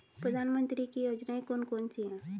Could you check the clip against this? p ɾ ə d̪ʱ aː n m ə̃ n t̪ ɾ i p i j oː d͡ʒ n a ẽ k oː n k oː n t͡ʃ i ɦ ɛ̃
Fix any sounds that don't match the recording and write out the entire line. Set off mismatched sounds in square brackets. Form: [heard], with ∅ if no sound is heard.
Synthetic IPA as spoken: p ɾ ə d̪ʱ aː n m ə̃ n t̪ ɾ i [k] i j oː d͡ʒ n a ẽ k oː n k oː n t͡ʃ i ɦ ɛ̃